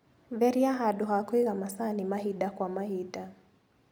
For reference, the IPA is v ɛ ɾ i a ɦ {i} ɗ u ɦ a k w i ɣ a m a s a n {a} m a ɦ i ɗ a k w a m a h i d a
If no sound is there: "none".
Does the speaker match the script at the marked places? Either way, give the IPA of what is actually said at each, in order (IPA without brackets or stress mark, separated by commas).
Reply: a, i